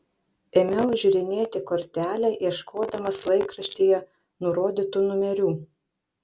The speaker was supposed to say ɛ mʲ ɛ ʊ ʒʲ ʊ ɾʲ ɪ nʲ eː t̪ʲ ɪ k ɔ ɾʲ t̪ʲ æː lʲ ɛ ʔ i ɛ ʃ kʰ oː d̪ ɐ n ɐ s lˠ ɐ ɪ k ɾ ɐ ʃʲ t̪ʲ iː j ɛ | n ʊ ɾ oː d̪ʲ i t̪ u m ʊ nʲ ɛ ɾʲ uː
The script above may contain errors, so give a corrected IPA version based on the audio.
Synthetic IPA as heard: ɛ mʲ ɛ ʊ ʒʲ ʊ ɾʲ ɪ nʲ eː t̪ʲ ɪ k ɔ ɾʲ t̪ʲ æː lʲ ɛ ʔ i ɛ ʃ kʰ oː d̪ ɐ m ɐ s lˠ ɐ ɪ k ɾ ɐ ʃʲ t̪ʲ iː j ɛ | n ʊ ɾ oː d̪ʲ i t̪ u n ʊ mʲ ɛ ɾʲ uː